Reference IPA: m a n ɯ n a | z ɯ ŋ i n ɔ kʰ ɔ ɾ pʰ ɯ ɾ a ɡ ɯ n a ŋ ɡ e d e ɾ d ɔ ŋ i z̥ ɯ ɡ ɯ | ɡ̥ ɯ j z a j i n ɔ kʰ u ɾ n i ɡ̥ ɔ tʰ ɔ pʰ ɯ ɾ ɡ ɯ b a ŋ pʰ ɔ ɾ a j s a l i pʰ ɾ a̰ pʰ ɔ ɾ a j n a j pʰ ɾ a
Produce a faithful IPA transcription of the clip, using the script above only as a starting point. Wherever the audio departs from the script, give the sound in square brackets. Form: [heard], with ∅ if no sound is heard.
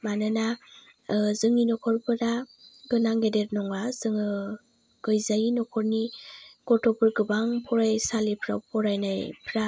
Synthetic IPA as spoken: m a n ɯ n a | z ɯ ŋ i n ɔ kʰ ɔ ɾ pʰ ɯ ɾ a ɡ ɯ n a ŋ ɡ e d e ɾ [n] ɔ ŋ [a] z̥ ɯ [ŋ] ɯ | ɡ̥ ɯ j z a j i n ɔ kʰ [ɔ] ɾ n i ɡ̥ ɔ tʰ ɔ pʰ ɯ ɾ ɡ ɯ b a ŋ pʰ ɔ ɾ a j s a l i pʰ ɾ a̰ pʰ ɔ ɾ a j n a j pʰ ɾ a